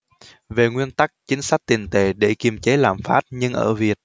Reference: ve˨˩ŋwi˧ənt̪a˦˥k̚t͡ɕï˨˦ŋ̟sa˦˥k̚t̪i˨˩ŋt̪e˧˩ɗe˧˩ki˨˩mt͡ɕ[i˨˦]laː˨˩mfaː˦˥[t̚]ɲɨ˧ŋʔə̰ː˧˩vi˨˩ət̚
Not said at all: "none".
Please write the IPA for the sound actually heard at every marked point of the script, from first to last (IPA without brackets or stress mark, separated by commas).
e˨˦, t̚